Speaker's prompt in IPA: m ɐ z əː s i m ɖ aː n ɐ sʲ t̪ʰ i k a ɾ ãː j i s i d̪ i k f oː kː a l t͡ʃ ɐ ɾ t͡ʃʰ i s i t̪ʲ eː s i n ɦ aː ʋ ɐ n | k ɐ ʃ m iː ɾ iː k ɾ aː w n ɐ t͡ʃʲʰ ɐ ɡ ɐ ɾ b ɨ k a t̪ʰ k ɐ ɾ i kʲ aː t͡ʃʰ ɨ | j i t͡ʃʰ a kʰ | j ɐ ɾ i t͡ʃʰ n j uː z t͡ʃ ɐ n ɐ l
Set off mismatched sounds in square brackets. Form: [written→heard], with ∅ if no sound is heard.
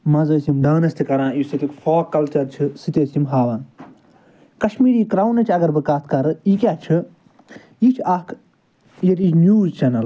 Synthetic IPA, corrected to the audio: m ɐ z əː s i m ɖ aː n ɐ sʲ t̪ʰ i k [a→ɐ] ɾ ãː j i s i [d̪→t̪] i k f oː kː [a→ɐ] l t͡ʃ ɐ ɾ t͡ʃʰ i s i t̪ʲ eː s i [n→m] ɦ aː ʋ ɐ n | k ɐ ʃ m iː ɾ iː k ɾ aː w n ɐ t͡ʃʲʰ ɐ ɡ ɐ ɾ b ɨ k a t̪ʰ k ɐ ɾ i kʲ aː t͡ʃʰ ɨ | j i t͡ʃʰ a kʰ | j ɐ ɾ i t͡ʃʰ n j uː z t͡ʃ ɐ n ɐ l